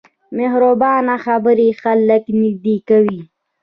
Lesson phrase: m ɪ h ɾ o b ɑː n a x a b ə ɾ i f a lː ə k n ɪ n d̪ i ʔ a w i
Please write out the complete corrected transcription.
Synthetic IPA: m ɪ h ɾ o b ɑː n a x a b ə ɾ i x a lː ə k n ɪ d̪ i k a w i